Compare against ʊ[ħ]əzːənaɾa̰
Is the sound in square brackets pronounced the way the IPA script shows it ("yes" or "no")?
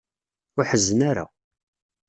yes